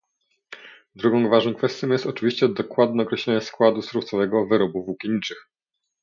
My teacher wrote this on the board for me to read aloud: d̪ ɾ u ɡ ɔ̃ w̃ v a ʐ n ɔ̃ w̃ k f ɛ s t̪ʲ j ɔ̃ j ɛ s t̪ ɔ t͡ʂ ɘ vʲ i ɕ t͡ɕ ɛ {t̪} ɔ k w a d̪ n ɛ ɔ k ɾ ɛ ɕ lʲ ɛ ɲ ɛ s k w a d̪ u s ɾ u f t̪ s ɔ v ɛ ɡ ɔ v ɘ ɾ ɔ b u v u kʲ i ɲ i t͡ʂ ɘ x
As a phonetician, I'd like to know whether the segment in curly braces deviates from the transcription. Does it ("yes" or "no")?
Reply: yes